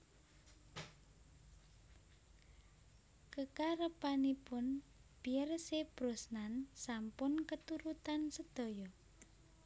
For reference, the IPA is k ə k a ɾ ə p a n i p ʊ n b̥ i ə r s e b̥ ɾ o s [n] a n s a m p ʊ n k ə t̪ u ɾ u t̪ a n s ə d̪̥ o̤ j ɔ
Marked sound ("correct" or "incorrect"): correct